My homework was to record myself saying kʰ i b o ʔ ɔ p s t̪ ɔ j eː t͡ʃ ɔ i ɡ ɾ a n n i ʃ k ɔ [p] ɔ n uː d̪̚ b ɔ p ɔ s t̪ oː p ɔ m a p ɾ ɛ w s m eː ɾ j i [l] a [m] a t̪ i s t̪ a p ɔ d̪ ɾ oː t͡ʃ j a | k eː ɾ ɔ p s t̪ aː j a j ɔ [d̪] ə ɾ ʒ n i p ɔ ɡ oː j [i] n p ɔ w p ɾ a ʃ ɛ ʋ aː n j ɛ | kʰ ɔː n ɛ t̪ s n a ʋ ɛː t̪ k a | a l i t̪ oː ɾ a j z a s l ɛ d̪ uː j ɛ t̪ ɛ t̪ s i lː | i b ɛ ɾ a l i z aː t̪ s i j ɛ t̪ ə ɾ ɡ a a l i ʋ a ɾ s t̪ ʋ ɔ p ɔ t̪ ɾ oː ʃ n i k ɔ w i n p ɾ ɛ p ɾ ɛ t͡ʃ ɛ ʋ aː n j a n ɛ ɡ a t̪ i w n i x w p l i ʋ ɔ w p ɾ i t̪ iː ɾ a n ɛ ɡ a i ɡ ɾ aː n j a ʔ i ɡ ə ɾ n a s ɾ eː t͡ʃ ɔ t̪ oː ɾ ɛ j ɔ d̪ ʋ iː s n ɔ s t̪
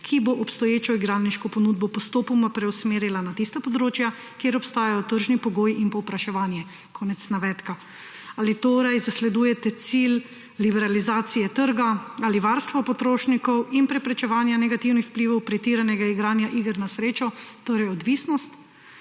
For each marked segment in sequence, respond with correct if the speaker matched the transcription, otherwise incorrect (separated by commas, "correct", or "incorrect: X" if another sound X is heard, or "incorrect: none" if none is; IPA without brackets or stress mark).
correct, correct, incorrect: n, incorrect: t̪, correct